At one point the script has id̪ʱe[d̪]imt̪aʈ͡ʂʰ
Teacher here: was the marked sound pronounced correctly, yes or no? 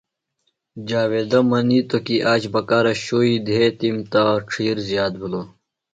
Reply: no